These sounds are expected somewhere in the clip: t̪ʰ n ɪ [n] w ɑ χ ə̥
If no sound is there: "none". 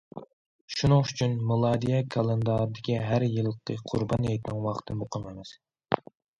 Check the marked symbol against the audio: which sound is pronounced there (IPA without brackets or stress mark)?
ŋ